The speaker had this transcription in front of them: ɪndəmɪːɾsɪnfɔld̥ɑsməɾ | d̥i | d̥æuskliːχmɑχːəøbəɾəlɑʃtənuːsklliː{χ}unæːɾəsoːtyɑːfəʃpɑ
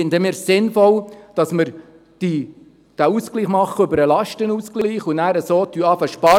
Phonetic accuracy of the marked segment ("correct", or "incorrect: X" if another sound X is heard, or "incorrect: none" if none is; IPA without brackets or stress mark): correct